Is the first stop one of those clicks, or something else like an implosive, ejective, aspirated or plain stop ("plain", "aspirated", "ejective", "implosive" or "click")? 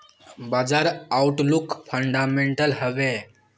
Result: plain